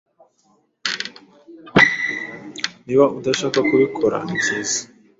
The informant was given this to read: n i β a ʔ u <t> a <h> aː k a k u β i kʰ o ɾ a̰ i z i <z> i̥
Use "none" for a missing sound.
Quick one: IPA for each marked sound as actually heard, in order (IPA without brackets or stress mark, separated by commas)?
d, ʃ, z